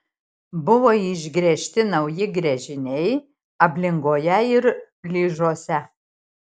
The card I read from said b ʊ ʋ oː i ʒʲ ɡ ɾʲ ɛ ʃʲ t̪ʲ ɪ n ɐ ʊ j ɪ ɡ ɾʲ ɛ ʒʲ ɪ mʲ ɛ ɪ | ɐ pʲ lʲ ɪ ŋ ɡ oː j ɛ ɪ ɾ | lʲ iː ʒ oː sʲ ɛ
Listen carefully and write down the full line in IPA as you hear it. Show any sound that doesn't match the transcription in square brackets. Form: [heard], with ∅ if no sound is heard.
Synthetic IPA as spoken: b ʊ ʋ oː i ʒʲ ɡ ɾʲ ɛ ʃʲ t̪ʲ ɪ n ɐ ʊ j ɪ ɡ ɾʲ ɛ ʒʲ ɪ [nʲ] ɛ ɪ | ɐ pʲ lʲ ɪ ŋ ɡ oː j ɛ ɪ ɾ | lʲ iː ʒ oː sʲ ɛ